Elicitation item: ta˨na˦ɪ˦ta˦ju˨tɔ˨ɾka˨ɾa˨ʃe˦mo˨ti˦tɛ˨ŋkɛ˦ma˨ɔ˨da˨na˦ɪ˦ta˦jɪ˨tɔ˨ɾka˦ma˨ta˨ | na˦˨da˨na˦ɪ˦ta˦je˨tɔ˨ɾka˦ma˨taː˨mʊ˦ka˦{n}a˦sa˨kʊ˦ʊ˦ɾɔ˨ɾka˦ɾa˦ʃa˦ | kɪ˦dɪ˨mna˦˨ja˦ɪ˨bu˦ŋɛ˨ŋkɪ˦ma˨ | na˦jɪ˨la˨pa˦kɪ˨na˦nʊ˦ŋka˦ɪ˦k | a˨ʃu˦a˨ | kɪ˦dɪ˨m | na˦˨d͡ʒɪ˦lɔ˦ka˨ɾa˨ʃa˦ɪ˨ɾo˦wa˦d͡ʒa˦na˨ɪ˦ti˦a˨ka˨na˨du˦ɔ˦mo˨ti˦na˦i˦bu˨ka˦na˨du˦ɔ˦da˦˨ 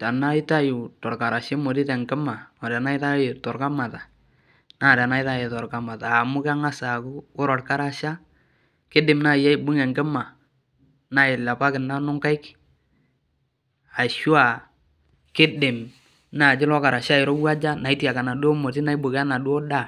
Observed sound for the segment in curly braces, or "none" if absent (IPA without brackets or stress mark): ŋ